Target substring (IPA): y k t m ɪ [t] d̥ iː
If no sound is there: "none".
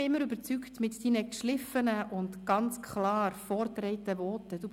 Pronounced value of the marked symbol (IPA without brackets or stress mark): t